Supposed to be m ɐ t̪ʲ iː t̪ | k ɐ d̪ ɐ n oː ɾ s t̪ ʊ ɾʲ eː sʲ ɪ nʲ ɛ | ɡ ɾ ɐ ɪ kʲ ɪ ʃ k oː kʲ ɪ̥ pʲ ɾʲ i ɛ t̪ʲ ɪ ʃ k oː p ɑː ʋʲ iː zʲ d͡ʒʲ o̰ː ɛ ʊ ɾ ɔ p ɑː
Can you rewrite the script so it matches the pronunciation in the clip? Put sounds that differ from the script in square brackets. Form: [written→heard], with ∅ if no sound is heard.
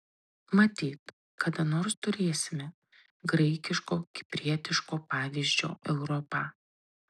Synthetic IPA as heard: m ɐ t̪ʲ iː t̪ | k ɐ d̪ ɐ n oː ɾ s t̪ ʊ ɾʲ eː sʲ ɪ [nʲ→mʲ] ɛ | ɡ ɾ ɐ ɪ kʲ ɪ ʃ k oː kʲ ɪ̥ pʲ ɾʲ i ɛ t̪ʲ ɪ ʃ k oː p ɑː ʋʲ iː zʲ d͡ʒʲ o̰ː ɛ ʊ ɾ ɔ p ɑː